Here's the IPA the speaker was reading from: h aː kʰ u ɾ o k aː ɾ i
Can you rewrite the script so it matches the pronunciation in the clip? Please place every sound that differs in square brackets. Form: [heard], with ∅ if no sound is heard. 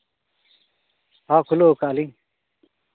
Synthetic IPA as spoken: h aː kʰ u [l] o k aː [l] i